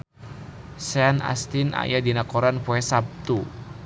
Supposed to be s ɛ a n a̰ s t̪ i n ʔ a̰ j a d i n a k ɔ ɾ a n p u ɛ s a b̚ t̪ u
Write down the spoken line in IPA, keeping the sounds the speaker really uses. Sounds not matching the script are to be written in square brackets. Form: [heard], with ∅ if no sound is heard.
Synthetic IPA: s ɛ a n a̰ s t̪ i n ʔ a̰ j a d i n a k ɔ ɾ a n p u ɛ s a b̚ t̪ u